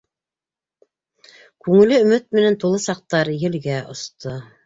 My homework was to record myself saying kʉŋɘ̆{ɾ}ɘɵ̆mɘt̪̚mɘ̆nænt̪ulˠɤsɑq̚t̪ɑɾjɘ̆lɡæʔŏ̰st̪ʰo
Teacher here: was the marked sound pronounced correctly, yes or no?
no